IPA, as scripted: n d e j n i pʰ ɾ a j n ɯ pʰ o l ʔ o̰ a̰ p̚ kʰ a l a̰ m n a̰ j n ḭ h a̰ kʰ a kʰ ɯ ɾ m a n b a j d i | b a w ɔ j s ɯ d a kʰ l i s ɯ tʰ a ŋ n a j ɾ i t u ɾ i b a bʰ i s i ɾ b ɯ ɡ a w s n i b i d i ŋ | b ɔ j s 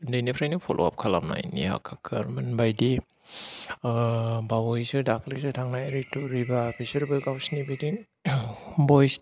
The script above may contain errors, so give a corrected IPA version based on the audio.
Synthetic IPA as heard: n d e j n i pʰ ɾ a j n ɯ pʰ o l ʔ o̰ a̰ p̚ kʰ a l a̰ m n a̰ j n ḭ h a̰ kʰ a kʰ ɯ ɾ m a n b a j d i | b a w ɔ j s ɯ d a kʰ l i s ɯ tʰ a ŋ n a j ɾ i t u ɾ i b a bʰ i s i ɾ b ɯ ɡ a w s n i b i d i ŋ | b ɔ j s